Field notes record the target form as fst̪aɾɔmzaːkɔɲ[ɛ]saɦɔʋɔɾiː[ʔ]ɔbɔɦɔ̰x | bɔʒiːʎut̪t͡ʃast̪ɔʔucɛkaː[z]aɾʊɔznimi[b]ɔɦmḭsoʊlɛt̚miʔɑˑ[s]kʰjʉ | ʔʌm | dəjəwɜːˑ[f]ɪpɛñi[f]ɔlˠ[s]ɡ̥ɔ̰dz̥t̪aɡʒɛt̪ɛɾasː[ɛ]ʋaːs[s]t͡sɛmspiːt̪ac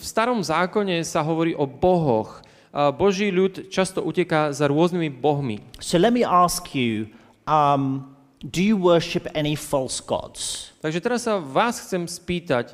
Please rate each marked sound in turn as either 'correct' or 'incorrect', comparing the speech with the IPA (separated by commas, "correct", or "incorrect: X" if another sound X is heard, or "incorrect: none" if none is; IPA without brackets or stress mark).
correct, correct, correct, correct, correct, incorrect: ʃ, correct, correct, incorrect: a, incorrect: x